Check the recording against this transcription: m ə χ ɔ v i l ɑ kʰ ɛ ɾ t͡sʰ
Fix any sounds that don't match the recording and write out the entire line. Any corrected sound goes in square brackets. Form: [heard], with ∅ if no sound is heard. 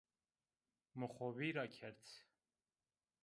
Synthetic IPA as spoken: m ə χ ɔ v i [ɾ] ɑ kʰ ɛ ɾ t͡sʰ

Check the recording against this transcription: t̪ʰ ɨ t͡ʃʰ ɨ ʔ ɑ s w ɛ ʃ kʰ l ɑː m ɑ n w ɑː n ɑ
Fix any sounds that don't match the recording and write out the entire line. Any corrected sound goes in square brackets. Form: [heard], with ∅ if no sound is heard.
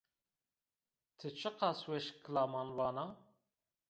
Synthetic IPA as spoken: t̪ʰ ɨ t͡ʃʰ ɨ [q] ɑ s w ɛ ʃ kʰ l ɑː m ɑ n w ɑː n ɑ

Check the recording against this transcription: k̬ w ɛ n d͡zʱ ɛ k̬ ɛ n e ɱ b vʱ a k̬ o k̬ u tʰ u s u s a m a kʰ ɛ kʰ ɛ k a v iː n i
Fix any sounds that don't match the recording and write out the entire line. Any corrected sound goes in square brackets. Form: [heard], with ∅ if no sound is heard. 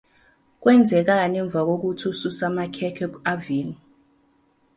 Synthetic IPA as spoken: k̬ w ɛ n d͡zʱ ɛ k̬ [a] n [ɛ] ɱ b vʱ a k̬ o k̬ u tʰ u s u s a m a kʰ ɛ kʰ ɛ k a v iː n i

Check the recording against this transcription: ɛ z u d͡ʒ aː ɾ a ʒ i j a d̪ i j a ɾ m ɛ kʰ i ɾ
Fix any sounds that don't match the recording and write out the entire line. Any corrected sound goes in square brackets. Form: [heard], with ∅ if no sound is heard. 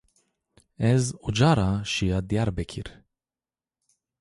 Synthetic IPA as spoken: ɛ z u d͡ʒ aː ɾ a [ʃ] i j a d̪ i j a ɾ [b] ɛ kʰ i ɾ

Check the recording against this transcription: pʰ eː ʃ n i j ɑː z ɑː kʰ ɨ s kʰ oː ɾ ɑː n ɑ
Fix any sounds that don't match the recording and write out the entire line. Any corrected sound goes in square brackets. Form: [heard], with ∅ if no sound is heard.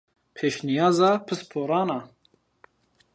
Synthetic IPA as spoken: pʰ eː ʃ n i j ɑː z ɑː [pʰ] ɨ s [pʰ] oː ɾ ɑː n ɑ

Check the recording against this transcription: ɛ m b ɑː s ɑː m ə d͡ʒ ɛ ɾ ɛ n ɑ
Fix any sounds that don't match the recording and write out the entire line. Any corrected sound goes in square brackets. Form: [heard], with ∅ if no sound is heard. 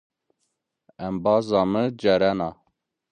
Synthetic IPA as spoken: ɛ m b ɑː [z] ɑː m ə d͡ʒ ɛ ɾ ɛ n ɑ

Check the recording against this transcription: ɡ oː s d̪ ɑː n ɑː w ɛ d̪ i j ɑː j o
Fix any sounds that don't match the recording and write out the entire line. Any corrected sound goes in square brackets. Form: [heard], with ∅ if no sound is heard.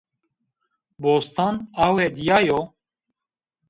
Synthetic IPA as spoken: [b] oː s [t̪] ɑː n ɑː w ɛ d̪ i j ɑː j o

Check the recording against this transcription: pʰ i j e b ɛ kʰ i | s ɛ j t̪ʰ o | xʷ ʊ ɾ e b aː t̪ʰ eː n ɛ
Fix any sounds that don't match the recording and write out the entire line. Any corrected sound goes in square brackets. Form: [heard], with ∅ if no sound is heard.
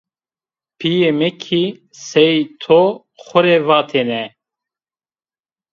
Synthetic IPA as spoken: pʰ i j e [m] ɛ kʰ i | s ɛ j t̪ʰ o | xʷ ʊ ɾ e [v] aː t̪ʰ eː n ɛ

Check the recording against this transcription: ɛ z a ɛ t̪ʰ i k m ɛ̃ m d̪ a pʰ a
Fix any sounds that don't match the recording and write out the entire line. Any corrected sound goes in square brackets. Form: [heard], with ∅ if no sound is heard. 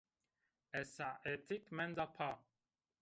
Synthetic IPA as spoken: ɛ [s] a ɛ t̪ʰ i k m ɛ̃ [n] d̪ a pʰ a

